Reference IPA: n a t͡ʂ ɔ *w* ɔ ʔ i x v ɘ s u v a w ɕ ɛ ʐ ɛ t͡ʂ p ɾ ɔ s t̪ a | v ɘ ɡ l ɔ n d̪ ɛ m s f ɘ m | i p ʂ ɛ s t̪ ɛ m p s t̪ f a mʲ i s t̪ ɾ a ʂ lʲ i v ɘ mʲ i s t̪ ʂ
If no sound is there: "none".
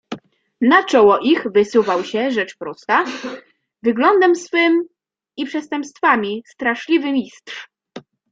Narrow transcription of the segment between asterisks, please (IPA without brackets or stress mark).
w